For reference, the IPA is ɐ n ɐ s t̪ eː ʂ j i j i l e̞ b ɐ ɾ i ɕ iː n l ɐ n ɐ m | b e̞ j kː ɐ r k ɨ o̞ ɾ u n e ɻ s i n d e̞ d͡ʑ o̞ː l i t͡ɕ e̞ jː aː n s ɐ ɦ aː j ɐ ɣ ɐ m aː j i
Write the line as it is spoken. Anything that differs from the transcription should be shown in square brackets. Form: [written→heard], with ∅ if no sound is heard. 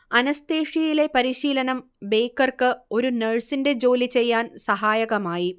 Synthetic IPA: ɐ n ɐ s t̪ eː ʂ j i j i l e̞ [b→p] ɐ ɾ i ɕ iː [n→∅] l ɐ n ɐ m | b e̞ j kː ɐ r k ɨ o̞ ɾ u n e ɻ s i n d e̞ d͡ʑ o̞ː l i t͡ɕ e̞ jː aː n s ɐ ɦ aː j ɐ ɣ ɐ m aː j i